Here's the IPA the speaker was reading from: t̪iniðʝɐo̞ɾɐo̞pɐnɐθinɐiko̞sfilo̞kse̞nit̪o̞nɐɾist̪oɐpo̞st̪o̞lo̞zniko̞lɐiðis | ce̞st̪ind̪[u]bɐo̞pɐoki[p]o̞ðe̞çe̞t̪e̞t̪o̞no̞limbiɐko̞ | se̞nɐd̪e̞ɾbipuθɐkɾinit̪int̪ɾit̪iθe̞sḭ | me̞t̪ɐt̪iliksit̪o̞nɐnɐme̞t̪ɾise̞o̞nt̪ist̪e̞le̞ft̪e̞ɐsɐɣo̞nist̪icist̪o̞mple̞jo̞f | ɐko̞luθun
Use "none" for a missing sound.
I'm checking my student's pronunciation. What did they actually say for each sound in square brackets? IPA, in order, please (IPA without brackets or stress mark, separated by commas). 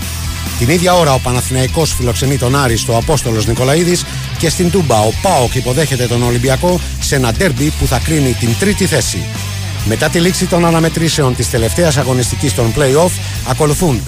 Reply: u, p